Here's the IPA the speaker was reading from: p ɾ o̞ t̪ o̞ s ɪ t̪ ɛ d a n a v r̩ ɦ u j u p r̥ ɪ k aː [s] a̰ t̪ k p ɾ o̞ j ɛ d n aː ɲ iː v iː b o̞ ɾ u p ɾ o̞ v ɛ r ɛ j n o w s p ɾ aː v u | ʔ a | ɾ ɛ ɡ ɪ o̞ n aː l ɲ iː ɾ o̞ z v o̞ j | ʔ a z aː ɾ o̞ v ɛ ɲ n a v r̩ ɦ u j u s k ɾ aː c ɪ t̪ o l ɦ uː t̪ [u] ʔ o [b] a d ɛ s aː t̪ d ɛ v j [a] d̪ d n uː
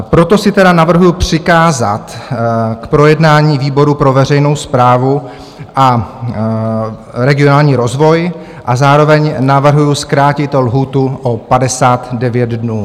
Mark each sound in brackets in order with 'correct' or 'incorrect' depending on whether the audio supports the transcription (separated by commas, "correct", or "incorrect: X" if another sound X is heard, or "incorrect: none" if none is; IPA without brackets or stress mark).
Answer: incorrect: z, correct, incorrect: p, incorrect: ɛ